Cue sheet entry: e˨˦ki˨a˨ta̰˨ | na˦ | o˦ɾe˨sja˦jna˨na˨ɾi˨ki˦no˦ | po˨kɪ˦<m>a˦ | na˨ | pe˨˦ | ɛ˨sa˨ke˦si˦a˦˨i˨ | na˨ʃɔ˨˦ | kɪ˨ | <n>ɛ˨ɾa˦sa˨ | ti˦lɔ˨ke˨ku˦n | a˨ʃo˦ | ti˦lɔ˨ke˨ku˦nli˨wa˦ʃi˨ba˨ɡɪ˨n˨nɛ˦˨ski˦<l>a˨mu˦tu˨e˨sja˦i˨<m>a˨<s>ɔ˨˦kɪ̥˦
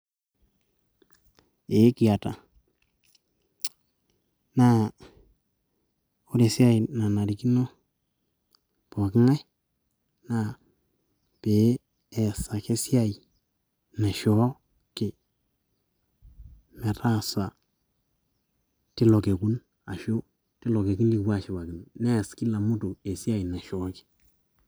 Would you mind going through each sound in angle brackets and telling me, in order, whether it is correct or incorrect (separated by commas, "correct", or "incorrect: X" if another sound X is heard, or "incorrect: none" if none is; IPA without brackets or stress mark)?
incorrect: ŋ, incorrect: m, correct, incorrect: n, incorrect: ʃ